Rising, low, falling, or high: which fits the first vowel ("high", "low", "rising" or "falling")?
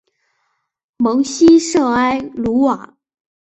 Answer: rising